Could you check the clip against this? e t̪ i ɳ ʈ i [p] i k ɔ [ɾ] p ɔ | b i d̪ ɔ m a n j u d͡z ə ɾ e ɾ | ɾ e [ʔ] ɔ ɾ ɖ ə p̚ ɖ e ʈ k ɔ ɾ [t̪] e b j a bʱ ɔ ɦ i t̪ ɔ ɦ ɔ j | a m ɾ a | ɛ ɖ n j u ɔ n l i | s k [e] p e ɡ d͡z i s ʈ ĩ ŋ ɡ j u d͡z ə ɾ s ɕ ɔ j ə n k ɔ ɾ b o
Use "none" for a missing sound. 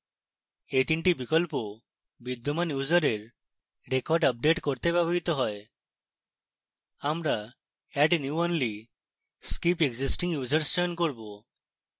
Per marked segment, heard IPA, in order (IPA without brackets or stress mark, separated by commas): b, l, k, t̪, i